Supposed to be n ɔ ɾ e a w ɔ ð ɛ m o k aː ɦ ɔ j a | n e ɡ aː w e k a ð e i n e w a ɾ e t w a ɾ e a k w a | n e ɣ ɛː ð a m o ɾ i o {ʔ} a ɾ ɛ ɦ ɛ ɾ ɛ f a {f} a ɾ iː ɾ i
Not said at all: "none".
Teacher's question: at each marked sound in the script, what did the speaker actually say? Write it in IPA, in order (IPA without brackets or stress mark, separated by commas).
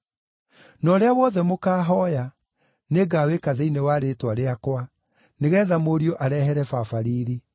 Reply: ʔ, f